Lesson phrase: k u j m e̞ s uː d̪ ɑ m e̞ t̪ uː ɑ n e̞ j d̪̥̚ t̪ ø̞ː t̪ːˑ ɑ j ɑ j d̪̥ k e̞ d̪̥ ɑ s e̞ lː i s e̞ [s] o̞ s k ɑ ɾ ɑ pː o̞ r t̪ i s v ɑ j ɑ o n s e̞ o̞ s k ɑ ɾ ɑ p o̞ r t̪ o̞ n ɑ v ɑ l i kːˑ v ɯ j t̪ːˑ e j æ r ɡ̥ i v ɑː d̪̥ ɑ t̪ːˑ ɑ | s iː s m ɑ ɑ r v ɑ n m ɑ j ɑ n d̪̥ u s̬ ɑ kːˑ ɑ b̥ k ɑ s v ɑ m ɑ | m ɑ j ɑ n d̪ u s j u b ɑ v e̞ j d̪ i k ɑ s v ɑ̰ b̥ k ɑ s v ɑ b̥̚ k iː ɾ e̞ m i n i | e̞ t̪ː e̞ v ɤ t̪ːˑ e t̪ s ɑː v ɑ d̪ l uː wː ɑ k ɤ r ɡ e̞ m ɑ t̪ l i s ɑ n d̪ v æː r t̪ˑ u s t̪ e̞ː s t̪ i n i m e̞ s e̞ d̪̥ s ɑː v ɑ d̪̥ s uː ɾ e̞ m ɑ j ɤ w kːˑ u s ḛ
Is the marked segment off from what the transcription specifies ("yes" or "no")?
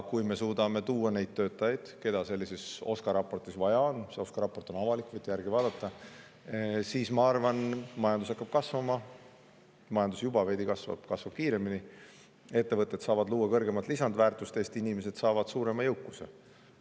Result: no